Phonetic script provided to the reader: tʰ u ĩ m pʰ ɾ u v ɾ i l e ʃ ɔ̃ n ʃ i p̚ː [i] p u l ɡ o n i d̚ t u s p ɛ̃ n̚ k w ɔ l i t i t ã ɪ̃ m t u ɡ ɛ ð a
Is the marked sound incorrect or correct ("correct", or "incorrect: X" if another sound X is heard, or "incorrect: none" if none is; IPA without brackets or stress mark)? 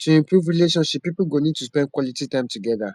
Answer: correct